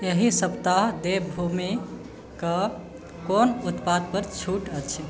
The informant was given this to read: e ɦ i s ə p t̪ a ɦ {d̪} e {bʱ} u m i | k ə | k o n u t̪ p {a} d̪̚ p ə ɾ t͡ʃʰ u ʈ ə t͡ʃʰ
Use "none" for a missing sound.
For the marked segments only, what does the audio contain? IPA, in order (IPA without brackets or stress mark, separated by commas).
d̪, bʱ, a